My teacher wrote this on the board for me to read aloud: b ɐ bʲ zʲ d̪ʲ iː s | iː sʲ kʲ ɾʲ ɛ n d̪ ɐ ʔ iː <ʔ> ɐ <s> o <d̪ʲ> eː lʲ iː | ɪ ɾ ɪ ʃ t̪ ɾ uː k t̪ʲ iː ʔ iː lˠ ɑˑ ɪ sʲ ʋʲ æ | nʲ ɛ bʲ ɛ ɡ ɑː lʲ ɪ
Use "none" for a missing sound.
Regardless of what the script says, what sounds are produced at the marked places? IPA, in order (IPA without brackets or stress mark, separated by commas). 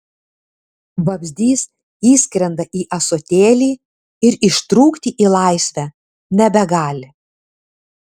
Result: ʔ, s, t̪ʲ